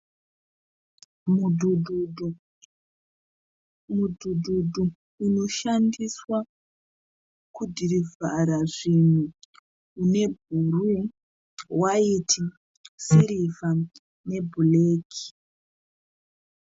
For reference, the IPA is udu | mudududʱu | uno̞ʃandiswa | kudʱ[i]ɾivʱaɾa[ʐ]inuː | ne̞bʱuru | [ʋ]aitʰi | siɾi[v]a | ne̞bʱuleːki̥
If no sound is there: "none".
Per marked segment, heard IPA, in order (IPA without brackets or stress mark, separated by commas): i, ʐ, w, v